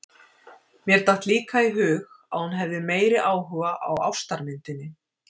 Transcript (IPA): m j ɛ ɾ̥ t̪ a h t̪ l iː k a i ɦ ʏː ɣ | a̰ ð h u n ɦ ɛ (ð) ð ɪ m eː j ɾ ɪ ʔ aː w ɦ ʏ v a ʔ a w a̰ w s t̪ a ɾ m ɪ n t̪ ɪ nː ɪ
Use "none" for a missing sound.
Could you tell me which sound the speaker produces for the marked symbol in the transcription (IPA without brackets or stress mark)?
v